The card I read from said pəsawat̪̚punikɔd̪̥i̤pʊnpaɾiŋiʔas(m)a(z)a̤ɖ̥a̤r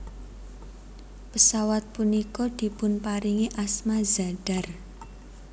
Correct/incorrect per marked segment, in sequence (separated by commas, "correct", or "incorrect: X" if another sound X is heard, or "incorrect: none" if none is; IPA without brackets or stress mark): correct, correct